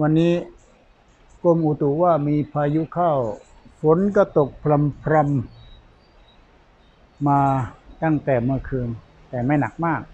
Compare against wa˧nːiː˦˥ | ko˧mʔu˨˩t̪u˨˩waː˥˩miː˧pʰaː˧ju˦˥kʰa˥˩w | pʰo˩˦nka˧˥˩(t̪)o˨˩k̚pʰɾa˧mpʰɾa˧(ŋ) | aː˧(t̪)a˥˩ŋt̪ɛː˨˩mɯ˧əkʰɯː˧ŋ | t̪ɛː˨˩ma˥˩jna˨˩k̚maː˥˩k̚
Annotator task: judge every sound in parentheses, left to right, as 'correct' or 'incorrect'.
correct, incorrect: m, correct

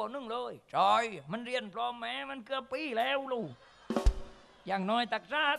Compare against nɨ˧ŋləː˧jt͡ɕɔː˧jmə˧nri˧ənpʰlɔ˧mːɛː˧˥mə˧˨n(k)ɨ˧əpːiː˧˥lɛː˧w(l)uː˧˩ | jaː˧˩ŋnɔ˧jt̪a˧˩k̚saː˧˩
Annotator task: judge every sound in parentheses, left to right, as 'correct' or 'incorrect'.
correct, correct

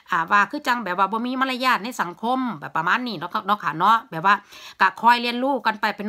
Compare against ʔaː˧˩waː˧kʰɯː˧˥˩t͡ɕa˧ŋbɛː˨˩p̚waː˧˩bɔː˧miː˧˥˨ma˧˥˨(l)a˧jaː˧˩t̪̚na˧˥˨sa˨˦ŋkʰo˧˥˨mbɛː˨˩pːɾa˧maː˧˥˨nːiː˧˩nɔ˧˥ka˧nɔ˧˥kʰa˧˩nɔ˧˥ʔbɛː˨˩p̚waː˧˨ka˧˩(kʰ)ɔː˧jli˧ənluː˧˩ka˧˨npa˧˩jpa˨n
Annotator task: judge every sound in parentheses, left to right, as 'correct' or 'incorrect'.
correct, correct

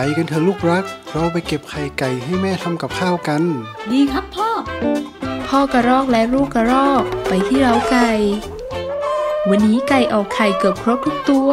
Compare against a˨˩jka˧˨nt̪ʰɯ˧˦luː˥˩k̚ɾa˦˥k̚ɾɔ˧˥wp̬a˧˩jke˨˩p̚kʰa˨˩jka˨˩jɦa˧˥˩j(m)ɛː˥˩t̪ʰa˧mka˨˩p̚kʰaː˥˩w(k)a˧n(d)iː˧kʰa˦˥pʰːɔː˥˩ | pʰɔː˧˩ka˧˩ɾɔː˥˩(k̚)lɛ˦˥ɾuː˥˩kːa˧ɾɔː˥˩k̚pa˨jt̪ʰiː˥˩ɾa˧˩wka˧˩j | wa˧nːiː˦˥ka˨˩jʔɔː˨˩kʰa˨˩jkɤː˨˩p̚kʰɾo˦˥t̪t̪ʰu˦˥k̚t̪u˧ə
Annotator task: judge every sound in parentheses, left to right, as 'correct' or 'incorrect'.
correct, correct, correct, correct

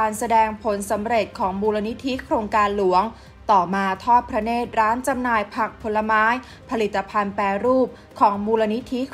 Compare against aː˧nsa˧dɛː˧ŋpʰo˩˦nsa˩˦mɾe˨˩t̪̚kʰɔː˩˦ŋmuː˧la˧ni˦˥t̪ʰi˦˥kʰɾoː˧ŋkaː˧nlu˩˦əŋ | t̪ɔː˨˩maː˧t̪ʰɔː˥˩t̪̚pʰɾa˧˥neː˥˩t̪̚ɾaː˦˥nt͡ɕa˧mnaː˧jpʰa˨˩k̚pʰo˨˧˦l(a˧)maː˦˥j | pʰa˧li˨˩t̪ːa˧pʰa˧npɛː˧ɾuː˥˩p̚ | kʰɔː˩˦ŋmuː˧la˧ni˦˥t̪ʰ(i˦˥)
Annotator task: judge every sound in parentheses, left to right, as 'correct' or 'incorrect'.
correct, correct

